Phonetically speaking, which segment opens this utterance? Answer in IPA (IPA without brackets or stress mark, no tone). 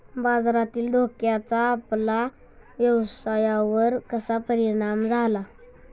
b